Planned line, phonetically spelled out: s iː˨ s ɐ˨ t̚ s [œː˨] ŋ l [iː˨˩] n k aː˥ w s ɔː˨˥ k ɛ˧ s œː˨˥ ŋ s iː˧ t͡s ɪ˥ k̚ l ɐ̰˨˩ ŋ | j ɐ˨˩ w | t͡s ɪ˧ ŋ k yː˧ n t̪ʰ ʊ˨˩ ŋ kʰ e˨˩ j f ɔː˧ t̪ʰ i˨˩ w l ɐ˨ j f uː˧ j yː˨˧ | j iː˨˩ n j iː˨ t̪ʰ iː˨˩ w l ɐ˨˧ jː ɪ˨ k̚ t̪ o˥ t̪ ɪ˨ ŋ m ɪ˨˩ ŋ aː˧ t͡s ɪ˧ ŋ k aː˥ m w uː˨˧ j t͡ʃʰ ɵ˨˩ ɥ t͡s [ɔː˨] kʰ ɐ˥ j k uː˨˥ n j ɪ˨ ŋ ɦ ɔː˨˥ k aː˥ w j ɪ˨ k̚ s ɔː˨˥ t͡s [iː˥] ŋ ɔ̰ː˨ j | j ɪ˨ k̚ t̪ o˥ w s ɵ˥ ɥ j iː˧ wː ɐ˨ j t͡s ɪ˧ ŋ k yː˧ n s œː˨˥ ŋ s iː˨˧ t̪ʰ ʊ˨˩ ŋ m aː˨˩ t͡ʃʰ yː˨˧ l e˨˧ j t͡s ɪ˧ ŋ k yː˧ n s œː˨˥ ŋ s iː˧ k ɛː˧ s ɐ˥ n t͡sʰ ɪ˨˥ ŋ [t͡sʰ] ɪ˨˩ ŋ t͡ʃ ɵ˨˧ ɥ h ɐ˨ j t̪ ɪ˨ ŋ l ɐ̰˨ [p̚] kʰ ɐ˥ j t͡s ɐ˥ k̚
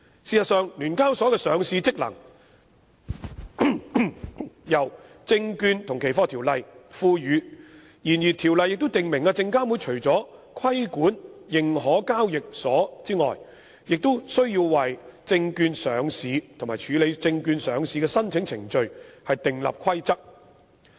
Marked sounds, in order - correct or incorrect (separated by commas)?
correct, incorrect, incorrect, correct, correct, correct